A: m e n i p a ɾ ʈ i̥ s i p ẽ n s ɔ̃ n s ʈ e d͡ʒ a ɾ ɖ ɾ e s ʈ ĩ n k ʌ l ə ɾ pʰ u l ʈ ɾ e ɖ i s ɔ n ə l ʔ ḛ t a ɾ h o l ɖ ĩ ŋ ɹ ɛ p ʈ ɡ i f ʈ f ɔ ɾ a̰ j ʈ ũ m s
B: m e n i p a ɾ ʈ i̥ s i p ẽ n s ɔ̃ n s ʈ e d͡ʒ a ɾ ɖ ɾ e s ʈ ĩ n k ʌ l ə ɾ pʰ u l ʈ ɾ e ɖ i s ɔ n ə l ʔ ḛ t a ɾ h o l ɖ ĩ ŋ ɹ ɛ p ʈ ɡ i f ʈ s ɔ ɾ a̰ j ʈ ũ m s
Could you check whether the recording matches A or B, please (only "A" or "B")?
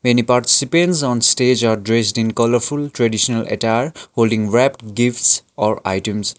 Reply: B